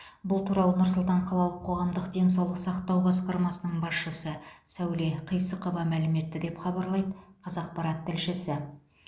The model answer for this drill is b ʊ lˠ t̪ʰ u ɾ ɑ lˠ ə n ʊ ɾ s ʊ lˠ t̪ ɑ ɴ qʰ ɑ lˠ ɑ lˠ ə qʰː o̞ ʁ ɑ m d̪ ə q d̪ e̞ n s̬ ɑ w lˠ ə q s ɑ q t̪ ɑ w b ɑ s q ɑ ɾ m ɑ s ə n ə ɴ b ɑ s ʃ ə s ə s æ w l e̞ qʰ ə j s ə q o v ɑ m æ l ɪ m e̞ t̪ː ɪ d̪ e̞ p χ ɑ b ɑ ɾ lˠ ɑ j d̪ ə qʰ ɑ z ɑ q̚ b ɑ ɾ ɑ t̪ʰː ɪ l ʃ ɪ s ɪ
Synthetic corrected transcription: b ʊ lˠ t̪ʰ u ɾ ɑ lˠ ə n ʊ ɾ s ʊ lˠ t̪ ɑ ɴ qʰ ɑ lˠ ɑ lˠ ə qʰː o̞ ʁ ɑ m d̪ ə q d̪ e̞ n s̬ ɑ w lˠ ə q s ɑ q t̪ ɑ w b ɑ s q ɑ ɾ m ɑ s ə n ə ɴ b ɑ s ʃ ə s ə s æ w l e̞ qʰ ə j s ə q o v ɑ m æ l ɪ m e̞ t̪ː ɪ d̪ e̞ p χ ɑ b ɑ ɾ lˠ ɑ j d̪ ə qʰ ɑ z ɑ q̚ p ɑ ɾ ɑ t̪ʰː ɪ l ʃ ɪ s ɪ